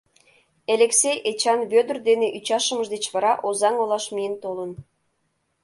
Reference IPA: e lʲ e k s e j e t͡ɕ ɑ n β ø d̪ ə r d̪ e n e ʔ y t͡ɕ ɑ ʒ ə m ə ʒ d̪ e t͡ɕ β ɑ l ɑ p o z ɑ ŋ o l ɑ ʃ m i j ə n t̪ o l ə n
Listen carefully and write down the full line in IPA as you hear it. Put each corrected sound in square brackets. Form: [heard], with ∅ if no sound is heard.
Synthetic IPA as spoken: e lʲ e k s e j e t͡ɕ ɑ n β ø d̪ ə r d̪ e n e ʔ y t͡ɕ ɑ [ʃ] ə m ə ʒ d̪ e t͡ɕ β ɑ [ɾ] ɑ [ʔ] o z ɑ ŋ o l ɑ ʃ m i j ə n t̪ o l ə n